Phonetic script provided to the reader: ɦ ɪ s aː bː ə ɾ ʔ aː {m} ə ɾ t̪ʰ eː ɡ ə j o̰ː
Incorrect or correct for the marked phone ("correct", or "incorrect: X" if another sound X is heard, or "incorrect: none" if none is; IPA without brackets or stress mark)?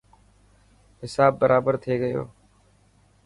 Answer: incorrect: b